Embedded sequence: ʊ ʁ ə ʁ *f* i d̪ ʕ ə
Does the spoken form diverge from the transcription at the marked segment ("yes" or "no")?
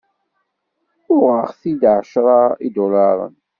yes